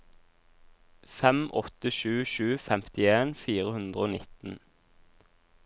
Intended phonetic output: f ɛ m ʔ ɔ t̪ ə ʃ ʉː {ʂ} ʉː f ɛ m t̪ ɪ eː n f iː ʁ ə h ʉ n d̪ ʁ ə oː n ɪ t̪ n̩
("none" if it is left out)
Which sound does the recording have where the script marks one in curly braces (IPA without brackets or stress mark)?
ʃ